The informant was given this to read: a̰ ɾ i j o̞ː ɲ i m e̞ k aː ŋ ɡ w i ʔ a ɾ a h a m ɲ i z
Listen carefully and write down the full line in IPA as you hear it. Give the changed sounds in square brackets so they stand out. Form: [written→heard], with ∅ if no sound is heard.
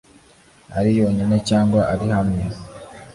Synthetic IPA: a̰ ɾ i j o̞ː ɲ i [m→n] e̞ [k→c] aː ŋ ɡ w [i→a] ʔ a ɾ [a→i] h a m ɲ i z